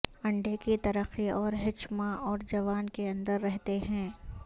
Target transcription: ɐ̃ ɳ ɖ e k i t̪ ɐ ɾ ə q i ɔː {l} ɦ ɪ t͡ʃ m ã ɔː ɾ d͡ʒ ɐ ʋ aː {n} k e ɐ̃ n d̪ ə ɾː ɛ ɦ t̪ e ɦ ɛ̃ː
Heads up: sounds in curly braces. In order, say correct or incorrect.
incorrect, correct

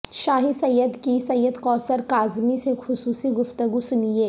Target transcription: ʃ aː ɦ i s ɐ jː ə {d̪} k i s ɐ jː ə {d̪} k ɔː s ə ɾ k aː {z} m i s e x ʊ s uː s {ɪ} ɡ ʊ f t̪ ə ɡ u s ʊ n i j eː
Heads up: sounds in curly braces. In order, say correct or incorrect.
correct, correct, correct, incorrect

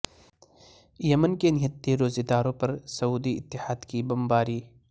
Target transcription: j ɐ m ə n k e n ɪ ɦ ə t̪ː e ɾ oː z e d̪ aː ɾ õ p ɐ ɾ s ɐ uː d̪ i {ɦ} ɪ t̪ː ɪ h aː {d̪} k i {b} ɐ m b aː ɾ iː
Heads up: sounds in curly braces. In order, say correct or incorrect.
incorrect, correct, correct

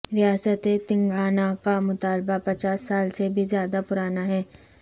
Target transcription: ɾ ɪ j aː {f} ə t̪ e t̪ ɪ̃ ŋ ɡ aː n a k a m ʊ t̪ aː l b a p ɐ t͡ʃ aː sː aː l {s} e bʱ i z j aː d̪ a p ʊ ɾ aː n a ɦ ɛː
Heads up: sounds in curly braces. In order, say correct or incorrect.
incorrect, correct

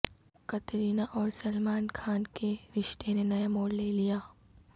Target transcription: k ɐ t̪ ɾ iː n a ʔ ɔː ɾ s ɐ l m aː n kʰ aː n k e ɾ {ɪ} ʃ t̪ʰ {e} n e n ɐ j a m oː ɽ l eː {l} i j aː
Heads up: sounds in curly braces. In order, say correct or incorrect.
correct, correct, correct

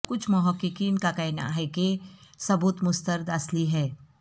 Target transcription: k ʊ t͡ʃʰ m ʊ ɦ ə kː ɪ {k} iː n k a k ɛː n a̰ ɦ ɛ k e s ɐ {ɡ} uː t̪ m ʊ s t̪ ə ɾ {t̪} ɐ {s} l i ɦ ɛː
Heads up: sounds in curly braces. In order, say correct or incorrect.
correct, incorrect, incorrect, correct

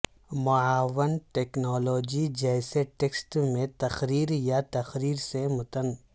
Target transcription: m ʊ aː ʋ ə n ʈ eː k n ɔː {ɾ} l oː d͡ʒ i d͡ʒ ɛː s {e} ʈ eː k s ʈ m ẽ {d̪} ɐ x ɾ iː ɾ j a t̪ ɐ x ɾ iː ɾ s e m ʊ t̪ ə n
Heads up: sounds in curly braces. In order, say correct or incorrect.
incorrect, correct, incorrect

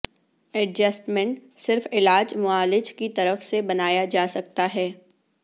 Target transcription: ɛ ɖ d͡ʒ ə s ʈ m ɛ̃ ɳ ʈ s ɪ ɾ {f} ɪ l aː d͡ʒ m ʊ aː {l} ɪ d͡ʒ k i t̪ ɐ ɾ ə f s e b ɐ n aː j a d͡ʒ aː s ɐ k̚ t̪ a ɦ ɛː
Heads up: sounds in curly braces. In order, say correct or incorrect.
correct, correct

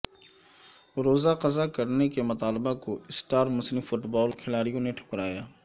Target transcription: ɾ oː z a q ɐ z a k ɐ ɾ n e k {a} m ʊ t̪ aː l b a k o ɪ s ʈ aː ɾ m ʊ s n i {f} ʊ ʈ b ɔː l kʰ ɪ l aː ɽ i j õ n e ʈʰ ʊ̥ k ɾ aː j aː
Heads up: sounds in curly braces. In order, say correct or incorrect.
incorrect, correct

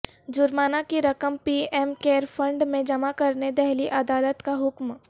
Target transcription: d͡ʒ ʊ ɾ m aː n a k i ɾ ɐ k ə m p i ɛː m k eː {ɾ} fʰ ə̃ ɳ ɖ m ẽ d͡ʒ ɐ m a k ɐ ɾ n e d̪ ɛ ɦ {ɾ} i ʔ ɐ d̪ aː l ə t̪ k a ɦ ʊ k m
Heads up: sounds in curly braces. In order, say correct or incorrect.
correct, incorrect

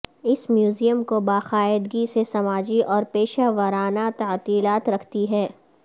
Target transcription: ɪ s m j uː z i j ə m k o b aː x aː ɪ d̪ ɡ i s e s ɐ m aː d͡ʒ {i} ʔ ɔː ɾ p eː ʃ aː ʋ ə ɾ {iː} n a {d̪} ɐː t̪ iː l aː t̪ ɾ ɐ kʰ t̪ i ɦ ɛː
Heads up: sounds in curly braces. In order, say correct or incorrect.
correct, incorrect, incorrect

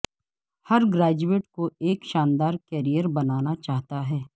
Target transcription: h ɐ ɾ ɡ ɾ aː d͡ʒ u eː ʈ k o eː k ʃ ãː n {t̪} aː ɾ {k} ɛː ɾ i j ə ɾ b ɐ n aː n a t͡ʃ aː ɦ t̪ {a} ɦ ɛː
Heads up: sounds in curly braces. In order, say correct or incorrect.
incorrect, correct, correct

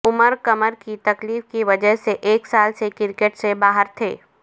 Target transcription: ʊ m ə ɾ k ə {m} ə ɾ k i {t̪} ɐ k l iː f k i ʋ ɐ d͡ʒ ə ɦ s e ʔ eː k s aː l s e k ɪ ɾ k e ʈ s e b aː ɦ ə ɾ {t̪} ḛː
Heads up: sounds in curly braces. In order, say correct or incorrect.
correct, correct, incorrect

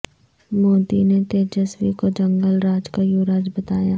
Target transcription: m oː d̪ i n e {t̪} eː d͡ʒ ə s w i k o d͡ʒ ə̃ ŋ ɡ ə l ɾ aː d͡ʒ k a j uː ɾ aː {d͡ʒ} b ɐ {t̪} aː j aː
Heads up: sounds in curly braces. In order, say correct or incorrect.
correct, correct, correct

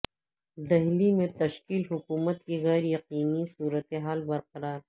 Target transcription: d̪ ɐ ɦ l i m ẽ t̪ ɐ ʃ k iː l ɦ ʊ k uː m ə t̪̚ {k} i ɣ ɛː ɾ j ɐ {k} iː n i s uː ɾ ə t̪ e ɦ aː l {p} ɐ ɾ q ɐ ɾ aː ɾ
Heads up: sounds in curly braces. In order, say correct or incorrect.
correct, incorrect, incorrect

